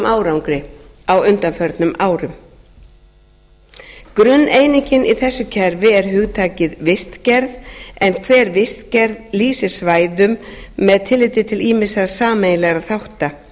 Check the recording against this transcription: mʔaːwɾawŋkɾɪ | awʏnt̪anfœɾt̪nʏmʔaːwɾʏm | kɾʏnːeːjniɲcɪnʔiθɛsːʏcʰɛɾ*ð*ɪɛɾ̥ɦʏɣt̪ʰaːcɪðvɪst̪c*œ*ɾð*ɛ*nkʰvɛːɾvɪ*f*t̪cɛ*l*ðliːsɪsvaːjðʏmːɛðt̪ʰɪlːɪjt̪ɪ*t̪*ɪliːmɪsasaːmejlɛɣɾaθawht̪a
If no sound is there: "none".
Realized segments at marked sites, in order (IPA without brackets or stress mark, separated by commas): v, ɛ, ɛ, s, ɾ, t̪ʰ